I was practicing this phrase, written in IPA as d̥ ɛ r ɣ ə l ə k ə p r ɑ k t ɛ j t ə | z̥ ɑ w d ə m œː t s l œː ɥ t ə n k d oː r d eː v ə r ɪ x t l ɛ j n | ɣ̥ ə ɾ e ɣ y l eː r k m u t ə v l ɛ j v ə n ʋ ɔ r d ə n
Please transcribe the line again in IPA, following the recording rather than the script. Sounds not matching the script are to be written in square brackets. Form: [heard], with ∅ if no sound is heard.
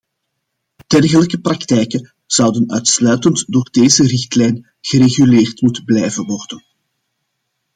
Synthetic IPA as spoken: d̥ ɛ r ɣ ə l ə k ə p r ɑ k t ɛ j [k] ə | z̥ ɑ w d ə [n] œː t s l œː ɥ t ə n [t] d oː r d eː [z] ə r ɪ x t l ɛ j n | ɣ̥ ə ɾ e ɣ y l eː r [t] m u t ə [b] l ɛ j v ə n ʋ ɔ r d ə n